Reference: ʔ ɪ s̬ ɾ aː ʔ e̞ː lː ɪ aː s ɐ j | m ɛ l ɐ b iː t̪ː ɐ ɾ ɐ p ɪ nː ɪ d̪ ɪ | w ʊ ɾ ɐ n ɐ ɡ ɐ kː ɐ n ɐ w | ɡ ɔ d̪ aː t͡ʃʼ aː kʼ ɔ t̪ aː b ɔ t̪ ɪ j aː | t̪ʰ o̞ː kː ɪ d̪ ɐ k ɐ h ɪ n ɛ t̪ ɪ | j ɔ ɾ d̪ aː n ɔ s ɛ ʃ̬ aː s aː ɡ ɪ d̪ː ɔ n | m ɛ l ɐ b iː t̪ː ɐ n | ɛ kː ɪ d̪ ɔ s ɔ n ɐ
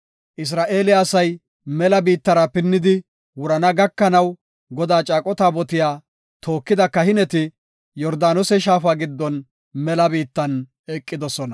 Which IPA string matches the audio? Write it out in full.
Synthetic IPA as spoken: ʔ ɪ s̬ ɾ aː ʔ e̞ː l ɪ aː s ɐ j | m ɛ l ɐ b iː t̪ː ɐ ɾ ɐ p ɪ nː ɪ d̪ ɪ | w ʊ ɾ ɐ n ɐ ɡ ɐ kː ɐ n ɐ w | ɡ ɔ d̪ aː t͡ʃʼ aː kʼ ɔ t̪ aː b ɔ t̪ ɪ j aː | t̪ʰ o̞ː kː ɪ d̪ ɐ k ɐ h ɪ n ɛ t̪ ɪ | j ɔ ɾ d̪ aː n ɔ s ɛ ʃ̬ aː f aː ɡ ɪ d̪ː ɔ n | m ɛ l ɐ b iː t̪ː ɐ n | ɛ kʼː ɪ d̪ ɔ s ɔ n ɐ